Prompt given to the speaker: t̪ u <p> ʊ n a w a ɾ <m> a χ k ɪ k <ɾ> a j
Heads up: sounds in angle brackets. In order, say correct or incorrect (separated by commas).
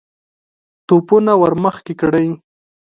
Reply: correct, correct, incorrect